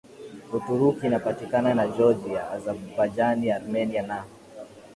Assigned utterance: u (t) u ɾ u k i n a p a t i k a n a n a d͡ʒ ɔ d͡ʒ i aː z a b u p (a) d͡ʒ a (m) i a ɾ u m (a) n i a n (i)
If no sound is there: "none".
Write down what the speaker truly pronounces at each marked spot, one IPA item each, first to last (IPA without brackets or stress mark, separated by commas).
t, a, n, ɛ, a